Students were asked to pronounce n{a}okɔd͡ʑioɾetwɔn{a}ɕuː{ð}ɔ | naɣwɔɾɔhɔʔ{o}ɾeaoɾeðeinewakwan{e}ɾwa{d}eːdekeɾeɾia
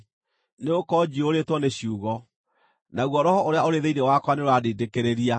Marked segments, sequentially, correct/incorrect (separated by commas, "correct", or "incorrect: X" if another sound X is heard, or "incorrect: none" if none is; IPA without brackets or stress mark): incorrect: e, incorrect: e, incorrect: ɣ, correct, correct, correct